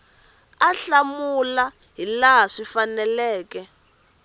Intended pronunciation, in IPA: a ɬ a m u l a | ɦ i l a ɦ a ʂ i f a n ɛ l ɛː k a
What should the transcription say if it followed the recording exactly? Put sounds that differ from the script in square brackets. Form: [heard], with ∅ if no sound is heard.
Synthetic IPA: a ɬ a m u l a | ɦ i l a ɦ a ʂ i f a n ɛ l ɛː k [ɛ]